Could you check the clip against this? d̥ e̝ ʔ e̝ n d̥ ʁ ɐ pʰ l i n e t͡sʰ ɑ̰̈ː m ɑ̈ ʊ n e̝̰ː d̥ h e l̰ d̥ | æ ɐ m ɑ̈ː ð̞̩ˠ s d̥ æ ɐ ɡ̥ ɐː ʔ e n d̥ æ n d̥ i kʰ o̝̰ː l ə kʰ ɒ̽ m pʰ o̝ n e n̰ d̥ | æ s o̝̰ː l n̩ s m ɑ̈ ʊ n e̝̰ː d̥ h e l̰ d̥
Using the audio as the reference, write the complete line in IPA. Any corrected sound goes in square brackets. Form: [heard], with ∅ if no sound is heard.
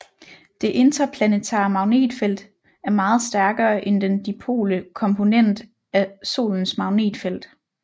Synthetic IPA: d̥ e̝ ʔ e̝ n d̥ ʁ ɐ pʰ l [æ] n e t͡sʰ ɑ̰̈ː m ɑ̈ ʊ n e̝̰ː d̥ [f] e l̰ d̥ | æ ɐ m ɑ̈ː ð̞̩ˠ s d̥ æ ɐ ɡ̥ ɐː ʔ e n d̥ [e] n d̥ i [pʰ] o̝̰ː l ə kʰ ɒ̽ m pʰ o̝ n e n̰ d̥ | æ s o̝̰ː l n̩ s m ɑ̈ ʊ n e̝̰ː d̥ [f] e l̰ d̥